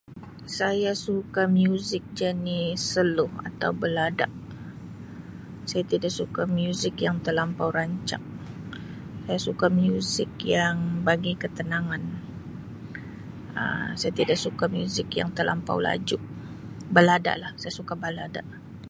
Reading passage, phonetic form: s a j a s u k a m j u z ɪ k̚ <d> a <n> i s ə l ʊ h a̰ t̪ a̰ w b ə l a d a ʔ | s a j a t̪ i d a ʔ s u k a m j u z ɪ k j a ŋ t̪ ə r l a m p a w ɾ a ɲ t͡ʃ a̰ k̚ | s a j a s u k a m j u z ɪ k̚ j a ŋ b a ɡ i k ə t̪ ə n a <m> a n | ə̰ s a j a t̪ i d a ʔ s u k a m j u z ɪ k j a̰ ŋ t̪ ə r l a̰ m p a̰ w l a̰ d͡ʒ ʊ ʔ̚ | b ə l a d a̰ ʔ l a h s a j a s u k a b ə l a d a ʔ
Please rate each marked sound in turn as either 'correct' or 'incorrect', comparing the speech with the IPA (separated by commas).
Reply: incorrect, correct, incorrect